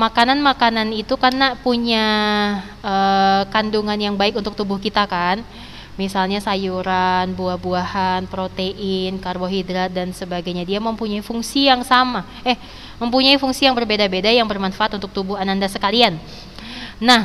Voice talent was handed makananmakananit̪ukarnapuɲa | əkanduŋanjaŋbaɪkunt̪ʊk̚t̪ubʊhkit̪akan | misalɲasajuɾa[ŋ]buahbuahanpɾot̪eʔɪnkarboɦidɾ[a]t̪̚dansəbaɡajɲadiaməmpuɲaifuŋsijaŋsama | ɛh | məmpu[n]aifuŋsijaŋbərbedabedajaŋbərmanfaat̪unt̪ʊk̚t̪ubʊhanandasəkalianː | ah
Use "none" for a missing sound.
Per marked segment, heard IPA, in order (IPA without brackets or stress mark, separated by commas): n, a, ɲ